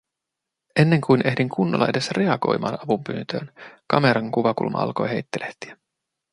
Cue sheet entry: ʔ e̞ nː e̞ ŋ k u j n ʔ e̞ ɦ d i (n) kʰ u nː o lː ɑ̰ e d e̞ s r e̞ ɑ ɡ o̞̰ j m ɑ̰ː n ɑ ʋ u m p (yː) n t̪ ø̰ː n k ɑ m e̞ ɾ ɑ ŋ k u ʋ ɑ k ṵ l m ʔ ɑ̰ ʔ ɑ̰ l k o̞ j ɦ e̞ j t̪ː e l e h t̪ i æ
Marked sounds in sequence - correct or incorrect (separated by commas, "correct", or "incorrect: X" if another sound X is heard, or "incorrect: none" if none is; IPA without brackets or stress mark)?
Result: incorrect: ŋ, correct